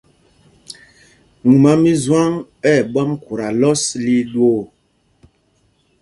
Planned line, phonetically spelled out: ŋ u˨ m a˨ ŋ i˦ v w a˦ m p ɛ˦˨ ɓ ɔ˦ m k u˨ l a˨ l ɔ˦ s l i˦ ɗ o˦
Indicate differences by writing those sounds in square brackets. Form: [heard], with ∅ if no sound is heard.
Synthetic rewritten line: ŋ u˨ m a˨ [m] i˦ [z] w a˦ [ŋ] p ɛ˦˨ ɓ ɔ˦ m k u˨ [ɾ] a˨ l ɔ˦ s l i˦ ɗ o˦